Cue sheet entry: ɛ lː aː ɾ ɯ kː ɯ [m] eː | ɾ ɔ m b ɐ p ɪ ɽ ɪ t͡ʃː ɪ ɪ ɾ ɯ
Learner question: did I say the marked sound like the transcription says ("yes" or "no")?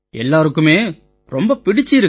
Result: yes